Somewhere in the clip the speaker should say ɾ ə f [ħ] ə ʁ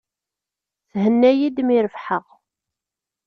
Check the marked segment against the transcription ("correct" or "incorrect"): correct